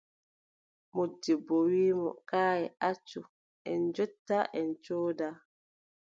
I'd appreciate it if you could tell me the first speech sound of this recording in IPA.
m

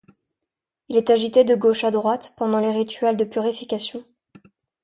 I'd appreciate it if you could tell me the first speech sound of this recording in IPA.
i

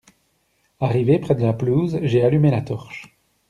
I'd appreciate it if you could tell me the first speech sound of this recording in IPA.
a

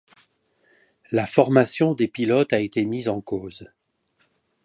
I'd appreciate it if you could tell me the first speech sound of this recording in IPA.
l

